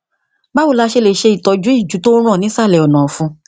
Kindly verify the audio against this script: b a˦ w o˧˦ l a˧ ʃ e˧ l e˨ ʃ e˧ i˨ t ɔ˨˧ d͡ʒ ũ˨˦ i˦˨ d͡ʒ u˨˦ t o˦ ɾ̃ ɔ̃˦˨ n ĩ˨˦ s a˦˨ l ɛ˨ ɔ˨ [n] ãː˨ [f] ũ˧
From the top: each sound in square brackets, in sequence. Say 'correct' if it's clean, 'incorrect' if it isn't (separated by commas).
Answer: correct, correct